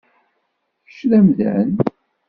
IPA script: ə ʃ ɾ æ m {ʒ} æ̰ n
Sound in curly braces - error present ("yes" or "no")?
yes